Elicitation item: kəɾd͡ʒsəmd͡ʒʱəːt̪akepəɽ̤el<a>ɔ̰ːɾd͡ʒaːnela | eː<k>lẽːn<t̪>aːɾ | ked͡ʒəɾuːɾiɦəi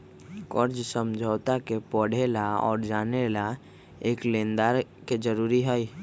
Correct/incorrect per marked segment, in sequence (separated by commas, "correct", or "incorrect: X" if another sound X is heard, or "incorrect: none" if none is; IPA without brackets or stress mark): correct, correct, incorrect: d̪